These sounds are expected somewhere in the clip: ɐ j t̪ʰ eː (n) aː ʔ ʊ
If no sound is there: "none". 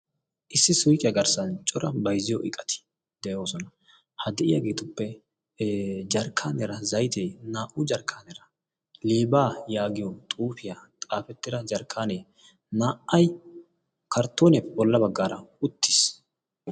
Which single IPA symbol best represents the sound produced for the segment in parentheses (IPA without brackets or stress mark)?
n